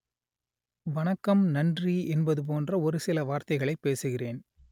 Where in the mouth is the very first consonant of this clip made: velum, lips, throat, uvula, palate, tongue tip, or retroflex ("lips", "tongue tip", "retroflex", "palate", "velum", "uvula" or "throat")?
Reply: lips